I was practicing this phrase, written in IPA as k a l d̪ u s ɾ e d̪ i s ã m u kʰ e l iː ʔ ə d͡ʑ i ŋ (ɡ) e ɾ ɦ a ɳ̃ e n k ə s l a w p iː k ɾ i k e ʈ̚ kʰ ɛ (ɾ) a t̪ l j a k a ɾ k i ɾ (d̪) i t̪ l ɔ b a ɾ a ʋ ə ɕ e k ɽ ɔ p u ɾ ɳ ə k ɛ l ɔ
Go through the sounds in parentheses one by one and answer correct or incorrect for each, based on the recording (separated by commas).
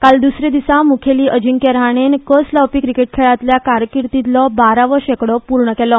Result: incorrect, incorrect, incorrect